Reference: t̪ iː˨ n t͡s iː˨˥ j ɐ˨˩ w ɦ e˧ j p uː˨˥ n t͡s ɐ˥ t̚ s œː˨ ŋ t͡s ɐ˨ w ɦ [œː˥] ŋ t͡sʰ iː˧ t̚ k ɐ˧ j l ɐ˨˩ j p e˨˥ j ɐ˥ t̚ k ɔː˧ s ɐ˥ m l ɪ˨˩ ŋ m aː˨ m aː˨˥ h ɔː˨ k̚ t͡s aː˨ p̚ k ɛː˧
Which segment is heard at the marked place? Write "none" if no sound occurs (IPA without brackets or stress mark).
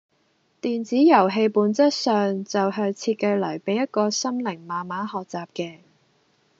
œː˧